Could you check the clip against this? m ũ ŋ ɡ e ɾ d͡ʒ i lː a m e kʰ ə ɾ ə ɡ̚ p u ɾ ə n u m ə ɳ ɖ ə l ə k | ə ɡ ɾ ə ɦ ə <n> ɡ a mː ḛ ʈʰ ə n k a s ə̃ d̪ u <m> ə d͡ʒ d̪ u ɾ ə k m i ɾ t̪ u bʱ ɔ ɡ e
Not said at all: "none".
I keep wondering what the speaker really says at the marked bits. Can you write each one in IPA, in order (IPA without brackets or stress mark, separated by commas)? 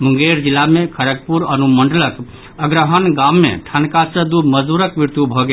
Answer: n, m